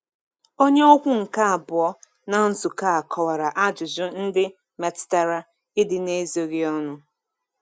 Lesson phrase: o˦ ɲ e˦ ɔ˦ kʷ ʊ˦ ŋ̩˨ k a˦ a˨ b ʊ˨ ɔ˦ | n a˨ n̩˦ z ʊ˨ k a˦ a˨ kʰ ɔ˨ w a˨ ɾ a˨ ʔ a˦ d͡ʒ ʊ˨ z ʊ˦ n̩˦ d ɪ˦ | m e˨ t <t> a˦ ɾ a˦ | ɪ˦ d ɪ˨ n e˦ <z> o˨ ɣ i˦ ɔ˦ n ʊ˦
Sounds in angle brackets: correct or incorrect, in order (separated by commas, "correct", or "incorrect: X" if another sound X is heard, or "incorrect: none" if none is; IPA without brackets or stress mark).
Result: correct, correct